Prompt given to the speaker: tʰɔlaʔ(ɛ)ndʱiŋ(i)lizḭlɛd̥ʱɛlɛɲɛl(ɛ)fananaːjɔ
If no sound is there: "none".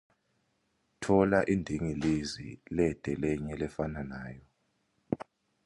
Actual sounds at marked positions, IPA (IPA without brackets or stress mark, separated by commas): i, i, ɛ